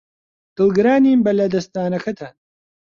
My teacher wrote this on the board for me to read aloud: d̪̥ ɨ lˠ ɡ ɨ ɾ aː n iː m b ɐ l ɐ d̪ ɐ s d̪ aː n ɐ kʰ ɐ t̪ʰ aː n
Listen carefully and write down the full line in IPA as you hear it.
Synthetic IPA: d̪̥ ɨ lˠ ɡ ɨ ɾ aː n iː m b ɐ l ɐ d̪ ɐ s t̪ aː n ɐ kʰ ɐ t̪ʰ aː n